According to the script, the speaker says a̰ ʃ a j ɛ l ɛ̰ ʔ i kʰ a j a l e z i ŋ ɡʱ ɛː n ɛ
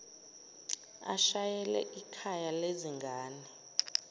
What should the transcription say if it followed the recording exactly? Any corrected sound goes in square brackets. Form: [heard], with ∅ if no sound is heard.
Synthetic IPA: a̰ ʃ a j ɛ l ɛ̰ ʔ i kʰ a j a l e z i ŋ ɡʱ [aː] n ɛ

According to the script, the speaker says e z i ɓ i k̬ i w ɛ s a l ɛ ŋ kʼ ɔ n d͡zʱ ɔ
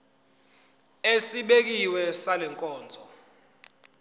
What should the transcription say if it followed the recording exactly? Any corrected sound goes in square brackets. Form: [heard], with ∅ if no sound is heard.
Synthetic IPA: e [s] i ɓ [e] k̬ i w ɛ s a l ɛ ŋ kʼ [ɔː] n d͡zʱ ɔ

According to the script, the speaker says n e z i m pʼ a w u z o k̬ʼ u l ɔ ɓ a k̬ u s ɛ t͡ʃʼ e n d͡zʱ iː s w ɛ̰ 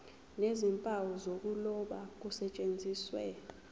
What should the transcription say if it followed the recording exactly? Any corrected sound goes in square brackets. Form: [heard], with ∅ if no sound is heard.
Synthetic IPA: n e z i m pʼ a w [ɔ] z o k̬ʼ u l ɔ ɓ a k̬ u s ɛ t͡ʃʼ e n d͡zʱ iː s w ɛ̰

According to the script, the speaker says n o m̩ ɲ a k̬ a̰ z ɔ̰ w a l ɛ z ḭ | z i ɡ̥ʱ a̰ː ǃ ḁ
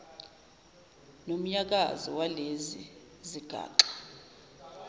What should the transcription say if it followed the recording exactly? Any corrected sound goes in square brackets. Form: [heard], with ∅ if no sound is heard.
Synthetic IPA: n o m̩ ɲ a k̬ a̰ z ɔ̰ w a l [e] z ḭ | z i ɡ̥ʱ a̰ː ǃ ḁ

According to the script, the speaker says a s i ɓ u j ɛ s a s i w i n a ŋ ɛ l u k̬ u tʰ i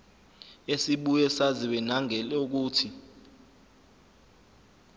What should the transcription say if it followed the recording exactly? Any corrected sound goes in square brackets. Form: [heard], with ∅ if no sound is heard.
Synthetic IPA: [e] s i ɓ u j ɛ s a [z] i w [ɛ] n a ŋ ɛ l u k̬ [uː] tʰ i

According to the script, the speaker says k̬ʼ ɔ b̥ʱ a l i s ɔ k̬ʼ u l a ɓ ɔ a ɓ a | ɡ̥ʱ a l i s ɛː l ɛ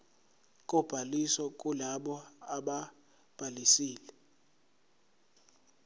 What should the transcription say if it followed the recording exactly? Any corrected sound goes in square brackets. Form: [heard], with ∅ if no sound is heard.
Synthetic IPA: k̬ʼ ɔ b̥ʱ a l i s ɔ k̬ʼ u l a ɓ ɔ a ɓ a | [b̥ʱ] a l i s [iː] l ɛ

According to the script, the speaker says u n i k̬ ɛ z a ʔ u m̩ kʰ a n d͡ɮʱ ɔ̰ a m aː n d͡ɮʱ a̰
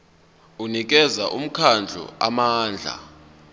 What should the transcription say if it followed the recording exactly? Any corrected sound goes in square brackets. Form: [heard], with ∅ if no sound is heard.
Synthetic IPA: u n i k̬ ɛ z a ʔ u m̩ kʰ a n d͡ɮʱ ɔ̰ a m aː n d͡ɮʱ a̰

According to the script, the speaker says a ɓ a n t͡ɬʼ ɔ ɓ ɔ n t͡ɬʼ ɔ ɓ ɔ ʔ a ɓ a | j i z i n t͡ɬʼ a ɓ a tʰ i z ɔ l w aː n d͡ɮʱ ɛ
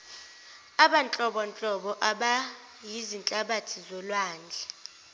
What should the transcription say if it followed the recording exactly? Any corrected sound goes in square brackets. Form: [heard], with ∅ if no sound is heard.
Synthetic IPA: a ɓ a n t͡ɬʼ ɔ ɓ ɔ n t͡ɬʼ ɔ ɓ ɔ ʔ a ɓ a | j i z i n t͡ɬʼ a ɓ a tʰ i z ɔ l w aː n d͡ɮʱ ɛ

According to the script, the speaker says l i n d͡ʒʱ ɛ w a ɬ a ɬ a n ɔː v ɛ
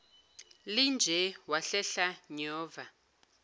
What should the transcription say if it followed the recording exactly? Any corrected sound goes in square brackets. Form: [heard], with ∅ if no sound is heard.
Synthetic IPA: l i n d͡ʒʱ ɛ w a ɬ [ɛ] ɬ a [ɲ] ɔː v [a]

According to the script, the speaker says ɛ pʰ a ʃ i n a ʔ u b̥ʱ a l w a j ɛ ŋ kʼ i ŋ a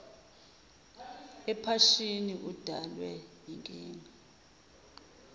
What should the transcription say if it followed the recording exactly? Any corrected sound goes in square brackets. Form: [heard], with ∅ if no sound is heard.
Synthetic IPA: ɛ pʰ a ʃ i n [i] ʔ u [d̥ʱ] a l w [ɛ] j [i] ŋ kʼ [iː] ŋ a

